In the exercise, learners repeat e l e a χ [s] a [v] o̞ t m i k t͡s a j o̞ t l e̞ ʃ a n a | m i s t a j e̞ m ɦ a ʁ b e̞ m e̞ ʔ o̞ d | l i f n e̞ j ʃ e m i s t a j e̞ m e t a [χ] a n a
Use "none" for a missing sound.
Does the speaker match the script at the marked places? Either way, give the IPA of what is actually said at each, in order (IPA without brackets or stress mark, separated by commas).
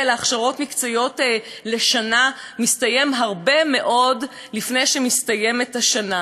ʃ, ʁ, ʃ